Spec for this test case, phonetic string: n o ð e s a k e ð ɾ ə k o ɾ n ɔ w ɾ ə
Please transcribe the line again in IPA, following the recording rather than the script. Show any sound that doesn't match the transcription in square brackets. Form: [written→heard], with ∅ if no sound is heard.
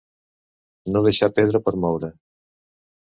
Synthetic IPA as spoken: n o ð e [s→ʃ] a [k→p] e ð ɾ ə [k→p] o ɾ [n→m] ɔ w ɾ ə

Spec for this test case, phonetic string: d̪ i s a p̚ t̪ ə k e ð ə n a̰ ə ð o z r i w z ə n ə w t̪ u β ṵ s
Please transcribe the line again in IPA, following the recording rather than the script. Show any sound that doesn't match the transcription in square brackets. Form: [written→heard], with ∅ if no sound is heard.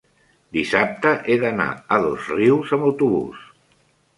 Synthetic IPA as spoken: d̪ i s a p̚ t̪ ə [k→ʔ] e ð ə n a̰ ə ð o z r i w z ə [n→m] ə w t̪ u β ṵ s

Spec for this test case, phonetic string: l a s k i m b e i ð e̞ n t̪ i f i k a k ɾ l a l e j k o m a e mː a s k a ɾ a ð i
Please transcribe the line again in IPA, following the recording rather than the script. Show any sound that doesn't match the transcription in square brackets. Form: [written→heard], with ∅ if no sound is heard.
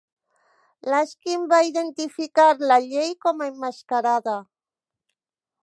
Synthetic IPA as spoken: l a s k i m b [e→a] i ð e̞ n t̪ i f i k a [k→∅] ɾ l a [l→ʎ] e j k o m a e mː a s k a ɾ a ð [i→a]

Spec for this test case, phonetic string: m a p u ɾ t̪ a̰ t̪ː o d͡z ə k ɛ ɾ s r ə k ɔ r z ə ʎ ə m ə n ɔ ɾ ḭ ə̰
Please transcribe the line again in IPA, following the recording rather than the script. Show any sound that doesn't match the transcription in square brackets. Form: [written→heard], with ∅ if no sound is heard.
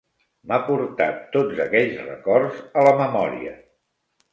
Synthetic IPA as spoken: m a p u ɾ t̪ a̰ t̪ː o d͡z ə k ɛ [ɾ→ʎ] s r ə k ɔ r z ə [ʎ→l] ə m ə [n→m] ɔ ɾ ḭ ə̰

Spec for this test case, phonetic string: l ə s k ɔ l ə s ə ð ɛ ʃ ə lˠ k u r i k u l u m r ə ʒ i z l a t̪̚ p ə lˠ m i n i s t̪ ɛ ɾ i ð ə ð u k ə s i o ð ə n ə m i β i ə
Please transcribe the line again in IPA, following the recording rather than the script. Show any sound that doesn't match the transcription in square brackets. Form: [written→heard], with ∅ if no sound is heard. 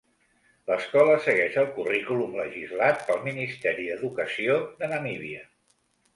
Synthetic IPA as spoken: l ə s k ɔ l ə s ə [ð→ɣ] ɛ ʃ ə lˠ k u r i k u l u m [r→l] ə ʒ i z l a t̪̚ p ə lˠ m i n i s t̪ ɛ ɾ i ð ə ð u k ə s i o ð ə n ə m i β i ə

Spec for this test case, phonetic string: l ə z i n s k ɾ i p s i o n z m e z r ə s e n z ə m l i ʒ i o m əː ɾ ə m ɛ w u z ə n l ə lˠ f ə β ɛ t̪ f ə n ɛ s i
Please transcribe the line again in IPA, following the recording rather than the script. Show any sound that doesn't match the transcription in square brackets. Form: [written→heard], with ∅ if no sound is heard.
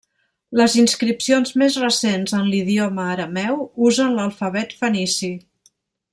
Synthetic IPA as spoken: l ə z i n s k ɾ i p s i o n z m e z r ə s e n z ə [m→n] l i [ʒ→ð] i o m əː ɾ ə m ɛ w u z ə n l ə lˠ f ə β ɛ t̪ f ə n [ɛ→i] s i

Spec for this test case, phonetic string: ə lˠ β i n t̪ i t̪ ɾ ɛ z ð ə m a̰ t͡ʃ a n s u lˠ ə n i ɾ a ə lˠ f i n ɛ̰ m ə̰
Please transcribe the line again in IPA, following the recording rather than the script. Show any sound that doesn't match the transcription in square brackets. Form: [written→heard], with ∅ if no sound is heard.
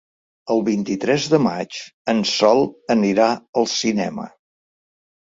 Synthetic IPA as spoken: ə lˠ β i n t̪ i t̪ ɾ ɛ z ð ə m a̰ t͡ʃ [a→ə] n s [u→ɔ] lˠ ə n i ɾ a ə lˠ [f→s] i n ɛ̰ m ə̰

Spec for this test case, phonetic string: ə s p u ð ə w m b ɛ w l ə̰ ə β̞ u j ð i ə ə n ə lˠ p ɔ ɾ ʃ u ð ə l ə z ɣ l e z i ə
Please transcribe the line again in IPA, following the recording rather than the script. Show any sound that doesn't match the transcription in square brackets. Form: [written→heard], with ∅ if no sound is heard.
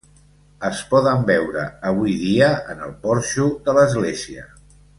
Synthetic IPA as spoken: ə s p [u→ɔ] ð ə [w→∅] m b ɛ w [l→ɾ] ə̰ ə β̞ u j ð i ə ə n ə lˠ p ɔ ɾ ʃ u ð ə l ə z ɣ l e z i ə

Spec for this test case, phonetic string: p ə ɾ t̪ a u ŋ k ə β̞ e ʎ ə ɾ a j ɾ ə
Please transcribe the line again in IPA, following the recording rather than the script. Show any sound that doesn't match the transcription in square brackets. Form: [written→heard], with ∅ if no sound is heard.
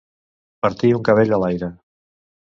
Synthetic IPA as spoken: p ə ɾ t̪ [a→i] u ŋ k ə β̞ e ʎ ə [ɾ→l] a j ɾ ə

